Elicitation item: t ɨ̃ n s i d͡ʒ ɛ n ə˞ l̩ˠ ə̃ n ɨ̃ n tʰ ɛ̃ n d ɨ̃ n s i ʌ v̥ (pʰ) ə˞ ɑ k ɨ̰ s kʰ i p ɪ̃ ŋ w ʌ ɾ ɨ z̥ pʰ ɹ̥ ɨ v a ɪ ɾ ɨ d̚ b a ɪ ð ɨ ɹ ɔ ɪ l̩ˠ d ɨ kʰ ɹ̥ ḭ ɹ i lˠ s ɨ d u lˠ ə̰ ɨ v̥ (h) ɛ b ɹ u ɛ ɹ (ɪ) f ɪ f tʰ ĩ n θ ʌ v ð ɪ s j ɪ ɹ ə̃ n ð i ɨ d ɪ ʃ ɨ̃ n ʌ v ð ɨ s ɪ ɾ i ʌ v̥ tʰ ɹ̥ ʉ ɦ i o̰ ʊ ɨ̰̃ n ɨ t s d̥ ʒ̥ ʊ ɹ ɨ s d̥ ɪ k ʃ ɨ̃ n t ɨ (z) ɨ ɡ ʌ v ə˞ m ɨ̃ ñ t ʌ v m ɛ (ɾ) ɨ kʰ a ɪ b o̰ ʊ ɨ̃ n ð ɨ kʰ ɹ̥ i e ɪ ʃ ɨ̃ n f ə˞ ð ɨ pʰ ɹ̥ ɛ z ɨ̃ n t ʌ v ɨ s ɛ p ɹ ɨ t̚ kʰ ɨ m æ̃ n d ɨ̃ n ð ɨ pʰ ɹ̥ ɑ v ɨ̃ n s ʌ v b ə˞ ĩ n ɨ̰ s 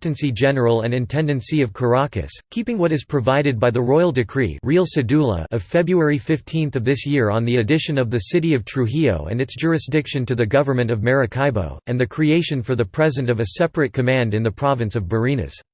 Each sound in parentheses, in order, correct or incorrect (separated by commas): incorrect, incorrect, incorrect, incorrect, incorrect